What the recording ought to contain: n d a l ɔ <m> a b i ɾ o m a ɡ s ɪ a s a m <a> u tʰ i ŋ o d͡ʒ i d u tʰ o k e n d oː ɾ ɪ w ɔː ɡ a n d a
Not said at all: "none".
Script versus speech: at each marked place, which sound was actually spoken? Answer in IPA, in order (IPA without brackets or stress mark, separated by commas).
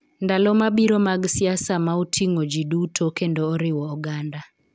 m, a